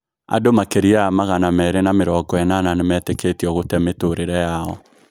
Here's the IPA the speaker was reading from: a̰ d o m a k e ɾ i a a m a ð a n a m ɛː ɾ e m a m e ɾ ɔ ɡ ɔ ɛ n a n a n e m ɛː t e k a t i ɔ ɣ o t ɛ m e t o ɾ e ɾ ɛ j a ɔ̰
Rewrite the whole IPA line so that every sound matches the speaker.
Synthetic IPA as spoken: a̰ d o m a k e ɾ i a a m a ɣ a n a m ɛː ɾ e n a m e ɾ ɔ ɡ ɔ ɛ n a n a n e m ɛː t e k e t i ɔ ɣ o t ɛ m e t o ɾ e ɾ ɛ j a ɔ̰